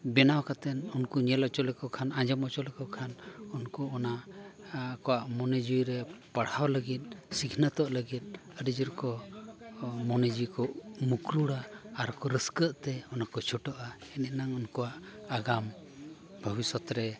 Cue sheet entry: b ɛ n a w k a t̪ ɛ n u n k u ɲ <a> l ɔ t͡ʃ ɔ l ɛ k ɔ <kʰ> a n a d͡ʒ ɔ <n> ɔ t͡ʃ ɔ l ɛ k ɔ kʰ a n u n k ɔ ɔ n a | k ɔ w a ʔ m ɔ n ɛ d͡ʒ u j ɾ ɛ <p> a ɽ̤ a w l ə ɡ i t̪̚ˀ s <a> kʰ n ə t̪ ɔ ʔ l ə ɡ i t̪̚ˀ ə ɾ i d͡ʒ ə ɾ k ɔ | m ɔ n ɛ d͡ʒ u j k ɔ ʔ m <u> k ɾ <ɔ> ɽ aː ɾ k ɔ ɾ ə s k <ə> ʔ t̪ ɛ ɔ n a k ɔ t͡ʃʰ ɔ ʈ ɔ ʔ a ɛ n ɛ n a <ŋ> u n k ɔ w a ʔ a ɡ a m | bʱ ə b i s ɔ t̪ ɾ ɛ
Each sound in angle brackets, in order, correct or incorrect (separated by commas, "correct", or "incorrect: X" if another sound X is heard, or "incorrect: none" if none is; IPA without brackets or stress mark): incorrect: ɛ, correct, incorrect: m, correct, incorrect: i, correct, incorrect: u, correct, correct